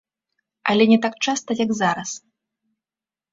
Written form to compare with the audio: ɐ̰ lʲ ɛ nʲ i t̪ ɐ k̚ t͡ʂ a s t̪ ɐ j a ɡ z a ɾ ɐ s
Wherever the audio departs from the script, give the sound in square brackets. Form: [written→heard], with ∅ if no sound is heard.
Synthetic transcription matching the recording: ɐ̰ lʲ ɛ nʲ [i→ɛ] t̪ [ɐ→a] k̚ t͡ʂ a s t̪ ɐ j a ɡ z a ɾ ɐ s